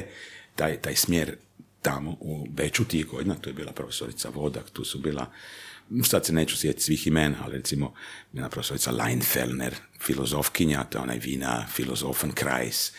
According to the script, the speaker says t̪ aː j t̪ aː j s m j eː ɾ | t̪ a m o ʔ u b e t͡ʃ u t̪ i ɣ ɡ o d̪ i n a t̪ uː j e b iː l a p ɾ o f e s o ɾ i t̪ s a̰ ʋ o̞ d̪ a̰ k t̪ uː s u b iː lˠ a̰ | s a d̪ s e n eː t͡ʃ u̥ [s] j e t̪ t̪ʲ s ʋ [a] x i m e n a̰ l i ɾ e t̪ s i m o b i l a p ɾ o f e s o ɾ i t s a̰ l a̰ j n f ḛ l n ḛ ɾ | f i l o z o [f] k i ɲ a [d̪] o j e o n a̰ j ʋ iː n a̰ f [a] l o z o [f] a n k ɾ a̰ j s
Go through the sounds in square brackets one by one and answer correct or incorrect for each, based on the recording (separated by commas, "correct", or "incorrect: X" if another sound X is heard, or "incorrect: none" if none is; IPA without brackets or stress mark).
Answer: correct, incorrect: i, correct, incorrect: t̪, incorrect: i, correct